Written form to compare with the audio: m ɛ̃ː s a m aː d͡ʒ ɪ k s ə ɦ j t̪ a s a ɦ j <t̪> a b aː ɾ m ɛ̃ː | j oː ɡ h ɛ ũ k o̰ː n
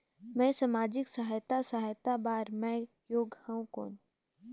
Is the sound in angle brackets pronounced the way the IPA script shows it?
yes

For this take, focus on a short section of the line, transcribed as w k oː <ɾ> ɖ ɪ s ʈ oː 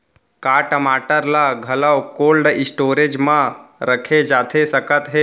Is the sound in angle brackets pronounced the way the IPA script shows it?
no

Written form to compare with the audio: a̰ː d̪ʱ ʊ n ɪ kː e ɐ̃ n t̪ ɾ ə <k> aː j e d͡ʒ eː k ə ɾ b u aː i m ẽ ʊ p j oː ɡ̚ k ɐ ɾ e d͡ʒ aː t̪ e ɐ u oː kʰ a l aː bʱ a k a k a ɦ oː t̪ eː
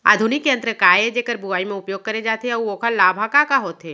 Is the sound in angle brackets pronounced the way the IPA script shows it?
yes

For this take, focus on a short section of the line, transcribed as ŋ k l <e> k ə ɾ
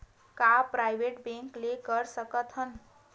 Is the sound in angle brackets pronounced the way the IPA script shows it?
yes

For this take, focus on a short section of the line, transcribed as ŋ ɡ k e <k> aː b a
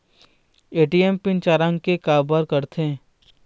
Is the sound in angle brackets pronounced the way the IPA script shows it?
yes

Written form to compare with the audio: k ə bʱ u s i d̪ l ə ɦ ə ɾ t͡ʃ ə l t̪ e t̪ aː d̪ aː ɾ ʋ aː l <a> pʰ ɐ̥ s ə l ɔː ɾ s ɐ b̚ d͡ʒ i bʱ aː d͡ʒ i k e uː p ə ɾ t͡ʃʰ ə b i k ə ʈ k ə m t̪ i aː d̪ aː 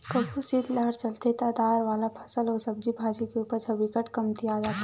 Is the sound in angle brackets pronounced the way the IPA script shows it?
yes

